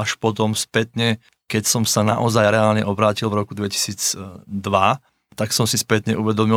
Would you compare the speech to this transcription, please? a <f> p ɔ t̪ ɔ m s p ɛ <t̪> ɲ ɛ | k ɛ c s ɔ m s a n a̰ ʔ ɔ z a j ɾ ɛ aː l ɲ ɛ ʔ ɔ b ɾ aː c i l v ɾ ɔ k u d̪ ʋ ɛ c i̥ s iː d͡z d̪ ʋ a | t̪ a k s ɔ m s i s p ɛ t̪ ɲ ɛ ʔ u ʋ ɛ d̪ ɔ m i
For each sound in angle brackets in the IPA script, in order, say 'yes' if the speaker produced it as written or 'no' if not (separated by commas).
no, yes